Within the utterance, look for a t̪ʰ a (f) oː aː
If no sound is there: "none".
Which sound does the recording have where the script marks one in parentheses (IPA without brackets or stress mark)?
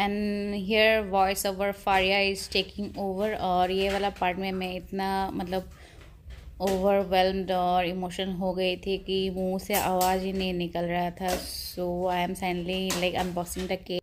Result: s